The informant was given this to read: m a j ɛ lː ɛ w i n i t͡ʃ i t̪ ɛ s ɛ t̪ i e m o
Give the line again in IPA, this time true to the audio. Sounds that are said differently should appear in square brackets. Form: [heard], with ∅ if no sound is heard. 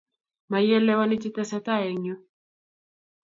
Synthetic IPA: m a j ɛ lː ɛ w [a] n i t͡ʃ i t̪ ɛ s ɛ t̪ [a] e [ɲ] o